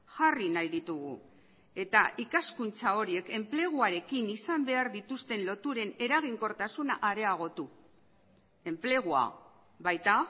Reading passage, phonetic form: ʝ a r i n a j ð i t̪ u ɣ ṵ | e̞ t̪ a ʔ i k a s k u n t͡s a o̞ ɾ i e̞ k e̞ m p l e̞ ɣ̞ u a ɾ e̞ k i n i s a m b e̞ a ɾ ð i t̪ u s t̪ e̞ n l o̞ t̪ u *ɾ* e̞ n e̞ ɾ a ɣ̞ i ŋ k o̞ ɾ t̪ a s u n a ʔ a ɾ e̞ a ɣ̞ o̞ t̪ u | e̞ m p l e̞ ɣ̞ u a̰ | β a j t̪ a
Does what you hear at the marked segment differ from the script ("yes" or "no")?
no